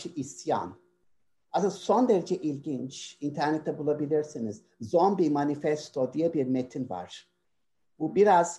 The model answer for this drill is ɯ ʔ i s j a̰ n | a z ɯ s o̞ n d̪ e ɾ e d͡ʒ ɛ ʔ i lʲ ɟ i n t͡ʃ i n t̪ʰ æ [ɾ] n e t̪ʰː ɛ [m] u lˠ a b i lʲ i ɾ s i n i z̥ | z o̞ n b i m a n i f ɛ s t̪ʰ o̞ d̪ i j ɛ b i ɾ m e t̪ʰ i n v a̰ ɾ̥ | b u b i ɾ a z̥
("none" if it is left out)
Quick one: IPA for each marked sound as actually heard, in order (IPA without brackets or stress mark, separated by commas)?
ɾ, b